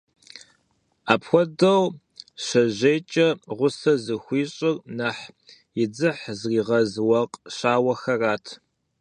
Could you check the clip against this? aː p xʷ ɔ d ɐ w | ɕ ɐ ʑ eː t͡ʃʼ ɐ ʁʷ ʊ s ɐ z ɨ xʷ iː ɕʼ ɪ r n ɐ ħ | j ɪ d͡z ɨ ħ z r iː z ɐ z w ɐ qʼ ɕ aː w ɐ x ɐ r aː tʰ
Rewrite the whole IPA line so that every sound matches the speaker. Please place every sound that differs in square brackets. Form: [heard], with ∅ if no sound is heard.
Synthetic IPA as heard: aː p xʷ ɔ d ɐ w | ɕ ɐ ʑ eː t͡ʃʼ ɐ ʁʷ ʊ s ɐ z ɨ xʷ iː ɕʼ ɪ r n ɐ ħ | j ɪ d͡z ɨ ħ z r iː [ʁ] ɐ z w ɐ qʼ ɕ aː w ɐ x ɐ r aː tʰ